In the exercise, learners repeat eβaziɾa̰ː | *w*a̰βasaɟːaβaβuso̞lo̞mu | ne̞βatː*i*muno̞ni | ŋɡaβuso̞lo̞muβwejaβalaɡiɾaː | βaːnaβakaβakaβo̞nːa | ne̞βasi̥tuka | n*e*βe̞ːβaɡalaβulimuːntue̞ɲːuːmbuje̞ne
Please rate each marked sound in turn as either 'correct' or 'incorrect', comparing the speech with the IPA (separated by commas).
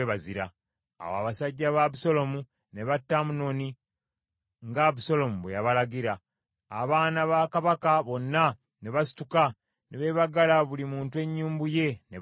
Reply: correct, incorrect, correct